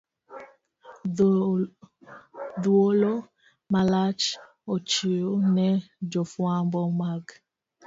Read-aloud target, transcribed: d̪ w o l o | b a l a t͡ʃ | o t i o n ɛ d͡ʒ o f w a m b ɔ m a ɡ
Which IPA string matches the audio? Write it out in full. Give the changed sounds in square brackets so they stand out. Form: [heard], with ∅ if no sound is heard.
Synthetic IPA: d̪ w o l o | [m] a l a t͡ʃ | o [t͡ʃ] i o n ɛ d͡ʒ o f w a m b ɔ m a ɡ